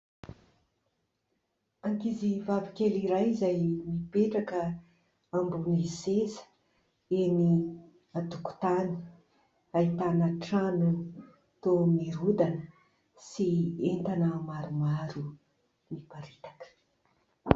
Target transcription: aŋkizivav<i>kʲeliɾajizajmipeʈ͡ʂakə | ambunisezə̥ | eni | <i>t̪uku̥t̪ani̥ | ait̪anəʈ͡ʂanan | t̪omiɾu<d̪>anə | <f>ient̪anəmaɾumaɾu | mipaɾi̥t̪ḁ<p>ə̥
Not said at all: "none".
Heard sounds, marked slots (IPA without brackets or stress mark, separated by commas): i, a, d̪, s, k